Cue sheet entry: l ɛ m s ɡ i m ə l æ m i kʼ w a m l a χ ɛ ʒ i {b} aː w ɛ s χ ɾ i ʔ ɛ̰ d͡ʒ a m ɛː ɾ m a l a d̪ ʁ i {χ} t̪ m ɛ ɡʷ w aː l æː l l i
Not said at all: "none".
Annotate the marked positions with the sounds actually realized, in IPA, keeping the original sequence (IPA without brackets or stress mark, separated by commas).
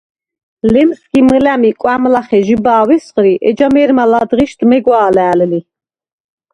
b, ʃ